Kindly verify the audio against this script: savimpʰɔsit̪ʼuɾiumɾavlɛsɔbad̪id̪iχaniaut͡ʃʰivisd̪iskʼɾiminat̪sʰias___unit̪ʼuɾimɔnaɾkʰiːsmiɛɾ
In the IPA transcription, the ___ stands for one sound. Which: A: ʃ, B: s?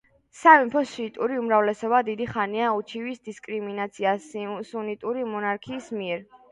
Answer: B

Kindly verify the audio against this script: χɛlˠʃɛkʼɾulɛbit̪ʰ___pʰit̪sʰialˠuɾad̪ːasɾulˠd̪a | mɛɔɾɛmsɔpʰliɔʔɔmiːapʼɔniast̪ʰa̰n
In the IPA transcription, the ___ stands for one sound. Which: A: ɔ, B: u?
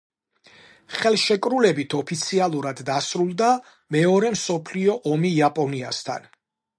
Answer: A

